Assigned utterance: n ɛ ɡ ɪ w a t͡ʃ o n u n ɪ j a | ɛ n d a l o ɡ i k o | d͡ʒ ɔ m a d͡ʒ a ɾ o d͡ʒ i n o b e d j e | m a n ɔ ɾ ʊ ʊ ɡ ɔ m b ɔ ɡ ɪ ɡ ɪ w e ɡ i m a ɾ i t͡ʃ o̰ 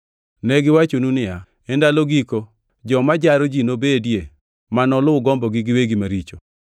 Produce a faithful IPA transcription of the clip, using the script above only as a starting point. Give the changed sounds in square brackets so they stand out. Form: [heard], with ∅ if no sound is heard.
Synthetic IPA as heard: n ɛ ɡ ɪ w a t͡ʃ o n u n ɪ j a | ɛ n d a l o ɡ i k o | d͡ʒ ɔ m a d͡ʒ a ɾ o d͡ʒ i n o b e d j e | m a n ɔ [l] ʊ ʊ ɡ ɔ m b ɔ ɡ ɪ ɡ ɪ w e ɡ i m a ɾ i t͡ʃ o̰

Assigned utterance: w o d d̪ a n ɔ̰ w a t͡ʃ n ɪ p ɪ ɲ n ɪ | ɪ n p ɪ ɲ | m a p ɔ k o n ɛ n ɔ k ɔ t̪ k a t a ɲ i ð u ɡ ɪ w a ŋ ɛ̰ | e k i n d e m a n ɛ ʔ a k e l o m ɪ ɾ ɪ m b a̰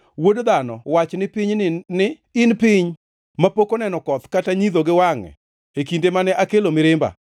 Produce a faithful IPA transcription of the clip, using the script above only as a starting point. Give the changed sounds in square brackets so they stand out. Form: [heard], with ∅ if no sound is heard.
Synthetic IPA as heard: w o d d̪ a n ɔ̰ w a t͡ʃ n ɪ p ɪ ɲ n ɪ | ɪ n p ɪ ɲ | m a p [o] k o n ɛ n ɔ k ɔ t̪ k a t a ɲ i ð [o] ɡ ɪ w a ŋ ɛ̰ | e k i n d e m a n ɛ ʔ a k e l o m ɪ ɾ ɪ m b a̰

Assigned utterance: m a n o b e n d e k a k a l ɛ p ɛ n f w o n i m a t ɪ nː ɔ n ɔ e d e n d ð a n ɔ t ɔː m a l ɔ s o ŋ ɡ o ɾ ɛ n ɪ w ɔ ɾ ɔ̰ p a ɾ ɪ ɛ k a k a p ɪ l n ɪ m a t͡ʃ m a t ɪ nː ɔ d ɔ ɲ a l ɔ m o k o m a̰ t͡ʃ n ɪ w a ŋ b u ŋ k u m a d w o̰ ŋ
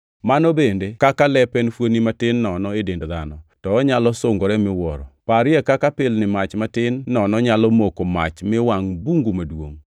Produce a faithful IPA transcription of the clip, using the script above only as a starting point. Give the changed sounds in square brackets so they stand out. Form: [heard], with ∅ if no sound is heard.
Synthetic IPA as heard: m a n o b e n d e k a k a l ɛ p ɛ n f w o n i m a t ɪ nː ɔ n ɔ e d e n d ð a n ɔ t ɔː [ɲ] a l ɔ s o ŋ ɡ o ɾ ɛ [m] ɪ w ɔ ɾ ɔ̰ p a ɾ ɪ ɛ k a k a p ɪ l n ɪ m a t͡ʃ m a t ɪ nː ɔ [n] ɔ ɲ a l ɔ m o k o m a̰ t͡ʃ [m] ɪ w a ŋ b u ŋ [ɡ] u m a d w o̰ ŋ

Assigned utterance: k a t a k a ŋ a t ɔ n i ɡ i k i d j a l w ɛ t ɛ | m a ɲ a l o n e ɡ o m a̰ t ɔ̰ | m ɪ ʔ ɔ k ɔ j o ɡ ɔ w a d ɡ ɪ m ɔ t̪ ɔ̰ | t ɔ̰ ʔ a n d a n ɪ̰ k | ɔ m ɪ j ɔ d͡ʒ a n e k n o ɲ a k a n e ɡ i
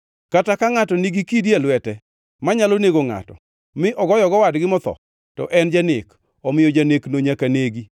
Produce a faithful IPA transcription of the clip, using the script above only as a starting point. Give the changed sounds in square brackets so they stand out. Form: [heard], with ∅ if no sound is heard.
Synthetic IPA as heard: k a t a k a ŋ a t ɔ n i ɡ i k i d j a l w ɛ t ɛ | m a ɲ a l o n e ɡ o [ŋ] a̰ t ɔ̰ | m ɪ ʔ ɔ [ɡ] ɔ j [ɔ] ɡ ɔ w a d ɡ ɪ m ɔ t̪ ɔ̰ | t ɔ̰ ʔ [ɛ] n [d͡ʒ] a n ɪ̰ k | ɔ m ɪ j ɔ d͡ʒ a n e k n o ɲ a k a n e ɡ i

